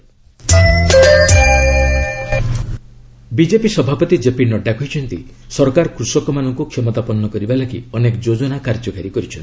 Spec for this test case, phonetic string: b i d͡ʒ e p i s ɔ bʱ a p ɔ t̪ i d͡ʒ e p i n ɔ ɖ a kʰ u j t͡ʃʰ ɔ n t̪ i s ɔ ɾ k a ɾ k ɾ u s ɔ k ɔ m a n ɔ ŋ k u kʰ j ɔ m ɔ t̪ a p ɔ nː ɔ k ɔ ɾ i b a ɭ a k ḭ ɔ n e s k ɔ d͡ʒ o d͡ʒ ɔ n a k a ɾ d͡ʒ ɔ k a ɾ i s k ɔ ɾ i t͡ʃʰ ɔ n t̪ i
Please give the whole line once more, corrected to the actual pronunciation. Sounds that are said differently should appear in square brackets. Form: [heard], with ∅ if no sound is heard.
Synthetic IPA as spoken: b i d͡ʒ e p i s ɔ bʱ a p ɔ t̪ i d͡ʒ e p i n ɔ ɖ a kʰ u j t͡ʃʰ ɔ n t̪ i s ɔ ɾ k a ɾ k ɾ u s ɔ k ɔ m a n ɔ ŋ k u kʰ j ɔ m ɔ t̪ a p ɔ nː ɔ k ɔ ɾ i b a [l] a k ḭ ɔ n e [∅] k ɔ d͡ʒ o d͡ʒ ɔ n a k a ɾ d͡ʒ ɔ k a ɾ i [∅] k ɔ ɾ i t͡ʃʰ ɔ n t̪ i